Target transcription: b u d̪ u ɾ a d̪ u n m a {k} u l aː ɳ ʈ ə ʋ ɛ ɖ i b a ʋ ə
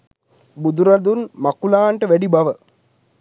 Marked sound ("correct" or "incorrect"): correct